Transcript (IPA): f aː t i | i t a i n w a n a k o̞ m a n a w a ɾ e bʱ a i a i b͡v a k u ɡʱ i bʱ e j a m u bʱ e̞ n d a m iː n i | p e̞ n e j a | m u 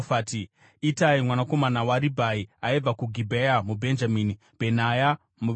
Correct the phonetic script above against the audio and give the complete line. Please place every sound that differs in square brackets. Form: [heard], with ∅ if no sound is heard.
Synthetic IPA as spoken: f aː t i | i t a i [m] w a n a k o̞ m a n a w a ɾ [i] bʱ a i a i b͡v a k u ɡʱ i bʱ e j a m u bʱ e̞ n [d͡ʒ] a m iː n i | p e̞ n [a] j a | m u